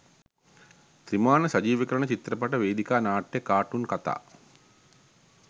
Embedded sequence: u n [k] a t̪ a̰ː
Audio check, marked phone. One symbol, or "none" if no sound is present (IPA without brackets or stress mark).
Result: k